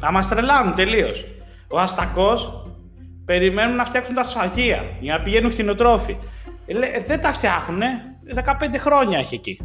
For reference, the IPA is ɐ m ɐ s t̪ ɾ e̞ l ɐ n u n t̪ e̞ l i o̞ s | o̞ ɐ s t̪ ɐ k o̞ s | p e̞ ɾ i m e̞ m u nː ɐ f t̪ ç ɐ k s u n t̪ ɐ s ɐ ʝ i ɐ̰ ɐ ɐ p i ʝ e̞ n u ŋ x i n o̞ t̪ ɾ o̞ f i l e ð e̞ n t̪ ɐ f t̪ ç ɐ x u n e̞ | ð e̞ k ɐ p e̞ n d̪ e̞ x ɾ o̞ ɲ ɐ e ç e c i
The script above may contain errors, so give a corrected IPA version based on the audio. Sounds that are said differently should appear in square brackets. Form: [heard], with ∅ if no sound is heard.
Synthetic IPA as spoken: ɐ m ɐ s t̪ ɾ e̞ l ɐ n u n t̪ e̞ l i o̞ s | o̞ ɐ s t̪ ɐ k o̞ s | p e̞ ɾ i m e̞ [n] u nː ɐ f t̪ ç ɐ k s u n t̪ ɐ s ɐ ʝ i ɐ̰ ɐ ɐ p i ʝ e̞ n u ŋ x i n o̞ t̪ ɾ o̞ f i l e ð e̞ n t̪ ɐ f t̪ ç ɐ x u n e̞ | ð e̞ k ɐ p e̞ n d̪ e̞ x ɾ o̞ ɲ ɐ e ç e c i